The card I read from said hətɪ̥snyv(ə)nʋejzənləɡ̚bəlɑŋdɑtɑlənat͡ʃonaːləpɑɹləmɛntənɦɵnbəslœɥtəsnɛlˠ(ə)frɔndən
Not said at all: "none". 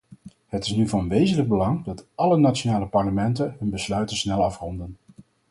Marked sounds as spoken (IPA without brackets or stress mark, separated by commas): ɑ, ɑ